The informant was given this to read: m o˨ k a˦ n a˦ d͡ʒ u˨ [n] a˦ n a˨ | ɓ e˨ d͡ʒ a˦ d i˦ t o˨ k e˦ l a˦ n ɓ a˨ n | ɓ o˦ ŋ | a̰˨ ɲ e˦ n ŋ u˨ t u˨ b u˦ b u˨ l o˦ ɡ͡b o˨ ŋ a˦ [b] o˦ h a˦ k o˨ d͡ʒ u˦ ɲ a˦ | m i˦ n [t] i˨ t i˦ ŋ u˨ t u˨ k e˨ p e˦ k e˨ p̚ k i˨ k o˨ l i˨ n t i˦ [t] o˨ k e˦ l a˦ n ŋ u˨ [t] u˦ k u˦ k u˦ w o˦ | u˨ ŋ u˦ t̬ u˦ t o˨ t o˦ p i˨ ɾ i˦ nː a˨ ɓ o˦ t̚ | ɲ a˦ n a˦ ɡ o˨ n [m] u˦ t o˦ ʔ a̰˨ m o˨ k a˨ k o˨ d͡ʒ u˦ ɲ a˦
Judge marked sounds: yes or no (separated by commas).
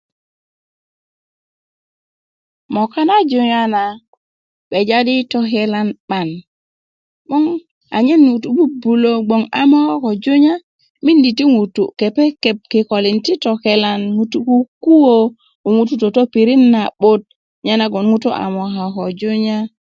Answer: no, no, no, yes, yes, no